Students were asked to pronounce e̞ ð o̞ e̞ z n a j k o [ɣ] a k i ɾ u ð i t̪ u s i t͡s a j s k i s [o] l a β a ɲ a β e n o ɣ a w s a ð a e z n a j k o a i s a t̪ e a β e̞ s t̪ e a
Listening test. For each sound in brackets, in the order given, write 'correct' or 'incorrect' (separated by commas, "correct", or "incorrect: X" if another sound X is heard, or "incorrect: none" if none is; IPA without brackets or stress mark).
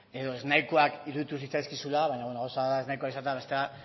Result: incorrect: none, incorrect: u